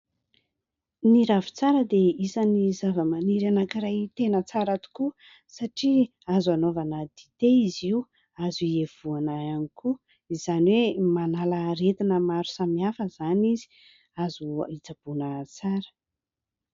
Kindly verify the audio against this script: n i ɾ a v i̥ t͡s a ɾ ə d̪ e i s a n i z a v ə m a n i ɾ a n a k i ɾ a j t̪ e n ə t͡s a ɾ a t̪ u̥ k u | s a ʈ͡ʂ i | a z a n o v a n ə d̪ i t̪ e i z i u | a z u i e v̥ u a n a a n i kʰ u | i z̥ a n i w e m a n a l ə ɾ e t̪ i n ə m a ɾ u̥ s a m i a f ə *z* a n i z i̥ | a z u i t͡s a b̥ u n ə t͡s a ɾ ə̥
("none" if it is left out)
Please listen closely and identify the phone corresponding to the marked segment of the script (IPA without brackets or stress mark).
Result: z